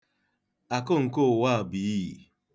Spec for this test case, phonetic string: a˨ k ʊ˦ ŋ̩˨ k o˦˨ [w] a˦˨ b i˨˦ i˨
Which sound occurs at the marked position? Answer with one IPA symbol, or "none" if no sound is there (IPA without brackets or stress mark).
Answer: w